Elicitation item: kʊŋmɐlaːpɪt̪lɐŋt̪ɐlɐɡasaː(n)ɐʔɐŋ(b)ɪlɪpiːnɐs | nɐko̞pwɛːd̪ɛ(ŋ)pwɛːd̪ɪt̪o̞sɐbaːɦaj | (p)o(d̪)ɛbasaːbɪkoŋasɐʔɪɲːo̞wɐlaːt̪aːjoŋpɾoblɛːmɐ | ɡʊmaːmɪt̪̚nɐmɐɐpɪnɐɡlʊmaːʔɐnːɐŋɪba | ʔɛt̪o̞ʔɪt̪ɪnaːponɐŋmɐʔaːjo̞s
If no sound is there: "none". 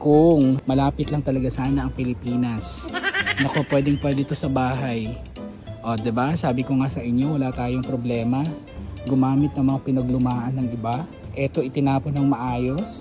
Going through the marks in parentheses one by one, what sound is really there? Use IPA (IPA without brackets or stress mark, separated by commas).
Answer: n, p, ŋ, ʔ, d̪